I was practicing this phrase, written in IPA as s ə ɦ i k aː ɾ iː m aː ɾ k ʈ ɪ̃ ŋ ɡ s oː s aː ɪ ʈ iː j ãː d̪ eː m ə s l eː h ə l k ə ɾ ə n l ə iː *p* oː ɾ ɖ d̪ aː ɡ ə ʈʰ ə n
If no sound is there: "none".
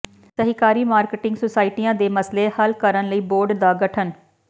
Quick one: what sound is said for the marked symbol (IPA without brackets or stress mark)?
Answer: b